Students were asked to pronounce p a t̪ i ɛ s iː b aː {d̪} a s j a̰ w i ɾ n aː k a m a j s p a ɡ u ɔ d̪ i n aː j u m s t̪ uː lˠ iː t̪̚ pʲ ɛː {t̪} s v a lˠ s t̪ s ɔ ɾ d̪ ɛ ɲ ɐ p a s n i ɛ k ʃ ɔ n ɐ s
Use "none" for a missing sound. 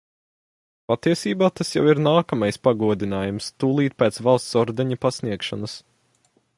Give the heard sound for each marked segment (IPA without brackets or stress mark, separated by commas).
t̪, t̪